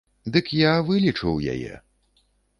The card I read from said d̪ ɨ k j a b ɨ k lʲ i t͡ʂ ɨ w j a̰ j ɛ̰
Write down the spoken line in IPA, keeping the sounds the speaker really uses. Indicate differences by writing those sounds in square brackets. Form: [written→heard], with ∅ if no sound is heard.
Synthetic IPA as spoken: d̪ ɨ k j a [b→v] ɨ [k→∅] lʲ i t͡ʂ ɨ w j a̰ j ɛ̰